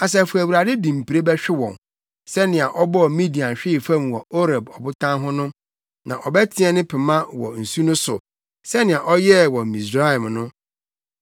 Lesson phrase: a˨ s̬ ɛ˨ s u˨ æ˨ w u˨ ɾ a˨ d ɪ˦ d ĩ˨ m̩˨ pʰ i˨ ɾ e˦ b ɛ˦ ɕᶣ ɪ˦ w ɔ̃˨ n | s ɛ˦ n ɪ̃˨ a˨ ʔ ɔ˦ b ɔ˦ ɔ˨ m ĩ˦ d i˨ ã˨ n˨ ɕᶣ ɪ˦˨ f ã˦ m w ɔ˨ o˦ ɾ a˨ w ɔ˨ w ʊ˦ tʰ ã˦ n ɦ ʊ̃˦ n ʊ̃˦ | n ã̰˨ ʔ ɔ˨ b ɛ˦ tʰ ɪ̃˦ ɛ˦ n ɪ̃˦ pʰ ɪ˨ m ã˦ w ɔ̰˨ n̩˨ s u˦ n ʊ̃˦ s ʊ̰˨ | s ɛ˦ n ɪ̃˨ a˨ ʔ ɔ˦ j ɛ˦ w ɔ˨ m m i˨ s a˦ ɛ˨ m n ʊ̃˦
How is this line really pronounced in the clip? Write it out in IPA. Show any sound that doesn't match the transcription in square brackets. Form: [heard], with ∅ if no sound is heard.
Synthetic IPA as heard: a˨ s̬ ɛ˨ [f] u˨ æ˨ w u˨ ɾ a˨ d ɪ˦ d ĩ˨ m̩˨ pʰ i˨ ɾ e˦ b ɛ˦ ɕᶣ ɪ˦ w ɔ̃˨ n | s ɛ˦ n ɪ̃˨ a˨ ʔ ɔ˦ b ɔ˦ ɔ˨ m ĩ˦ d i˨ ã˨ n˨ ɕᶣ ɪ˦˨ f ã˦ m w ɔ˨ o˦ ɾ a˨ [b] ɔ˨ [b] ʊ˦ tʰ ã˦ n ɦ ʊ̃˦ n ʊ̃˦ | n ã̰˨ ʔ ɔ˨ b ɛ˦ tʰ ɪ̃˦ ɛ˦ n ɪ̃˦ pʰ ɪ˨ m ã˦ w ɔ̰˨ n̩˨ s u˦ n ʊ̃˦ s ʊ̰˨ | s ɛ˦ n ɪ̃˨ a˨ ʔ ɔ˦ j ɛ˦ w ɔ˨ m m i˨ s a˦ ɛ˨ m n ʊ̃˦